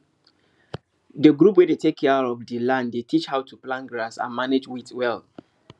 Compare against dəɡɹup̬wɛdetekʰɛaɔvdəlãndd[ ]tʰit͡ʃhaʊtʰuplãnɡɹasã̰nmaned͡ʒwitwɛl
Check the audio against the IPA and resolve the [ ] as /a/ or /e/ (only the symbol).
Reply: e